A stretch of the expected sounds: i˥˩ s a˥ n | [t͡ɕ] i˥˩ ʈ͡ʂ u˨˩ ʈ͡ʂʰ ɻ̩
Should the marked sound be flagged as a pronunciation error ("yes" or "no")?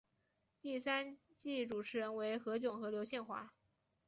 no